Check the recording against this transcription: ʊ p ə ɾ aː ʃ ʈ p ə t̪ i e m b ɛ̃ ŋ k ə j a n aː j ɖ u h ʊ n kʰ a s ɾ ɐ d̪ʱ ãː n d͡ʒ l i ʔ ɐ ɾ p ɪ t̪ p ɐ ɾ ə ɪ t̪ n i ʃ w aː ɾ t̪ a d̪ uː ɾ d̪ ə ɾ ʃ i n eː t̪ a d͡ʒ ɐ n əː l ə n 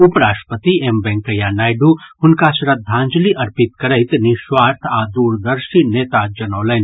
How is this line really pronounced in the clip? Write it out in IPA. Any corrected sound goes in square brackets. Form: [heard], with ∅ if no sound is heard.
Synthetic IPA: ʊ p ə ɾ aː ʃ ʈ p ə t̪ i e m b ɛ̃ ŋ k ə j a n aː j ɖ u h ʊ n [k] a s ɾ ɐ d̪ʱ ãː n d͡ʒ l i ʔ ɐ ɾ p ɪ t̪ [k] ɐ ɾ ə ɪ t̪ n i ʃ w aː ɾ [t̪ʰ] a d̪ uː ɾ d̪ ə ɾ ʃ i n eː t̪ a d͡ʒ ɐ n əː l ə n